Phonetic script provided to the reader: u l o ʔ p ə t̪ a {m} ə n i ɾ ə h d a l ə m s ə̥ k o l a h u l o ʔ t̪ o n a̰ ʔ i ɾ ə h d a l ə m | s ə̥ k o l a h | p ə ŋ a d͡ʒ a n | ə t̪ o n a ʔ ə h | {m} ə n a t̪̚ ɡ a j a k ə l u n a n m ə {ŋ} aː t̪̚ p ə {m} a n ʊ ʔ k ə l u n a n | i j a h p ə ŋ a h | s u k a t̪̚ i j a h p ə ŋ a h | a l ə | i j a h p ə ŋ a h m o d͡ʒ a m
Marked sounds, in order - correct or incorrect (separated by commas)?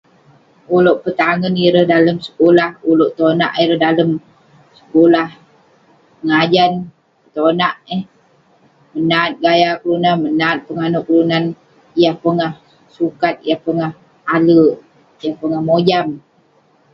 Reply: incorrect, correct, incorrect, incorrect